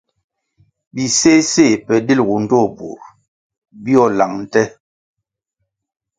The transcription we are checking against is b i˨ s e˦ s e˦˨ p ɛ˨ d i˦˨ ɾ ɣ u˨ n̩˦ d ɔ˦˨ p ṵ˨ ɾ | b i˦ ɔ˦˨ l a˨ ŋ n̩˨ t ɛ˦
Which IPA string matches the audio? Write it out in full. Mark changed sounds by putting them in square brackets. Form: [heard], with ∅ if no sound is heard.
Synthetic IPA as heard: b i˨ s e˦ s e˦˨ p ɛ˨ d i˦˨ [l] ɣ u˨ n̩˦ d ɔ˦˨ [b] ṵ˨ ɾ | b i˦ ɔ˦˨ l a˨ ŋ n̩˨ t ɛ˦